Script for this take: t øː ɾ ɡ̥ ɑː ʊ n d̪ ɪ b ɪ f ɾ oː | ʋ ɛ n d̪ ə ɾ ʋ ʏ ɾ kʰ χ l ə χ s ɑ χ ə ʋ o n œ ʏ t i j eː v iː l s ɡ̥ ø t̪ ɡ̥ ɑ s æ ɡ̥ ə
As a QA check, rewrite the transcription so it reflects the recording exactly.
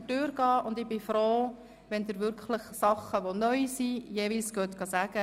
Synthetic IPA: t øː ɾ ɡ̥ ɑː ʊ n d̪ ɪ b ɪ f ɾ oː | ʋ ɛ n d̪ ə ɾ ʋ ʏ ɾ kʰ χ l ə χ s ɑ χ ə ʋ o n œ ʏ s i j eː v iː l s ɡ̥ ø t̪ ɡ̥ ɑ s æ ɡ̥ ə